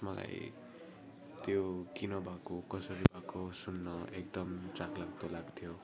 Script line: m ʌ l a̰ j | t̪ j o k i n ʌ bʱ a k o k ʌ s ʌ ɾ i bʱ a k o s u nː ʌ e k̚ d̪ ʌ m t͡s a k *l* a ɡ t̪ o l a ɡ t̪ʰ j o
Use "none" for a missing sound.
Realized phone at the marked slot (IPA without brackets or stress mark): l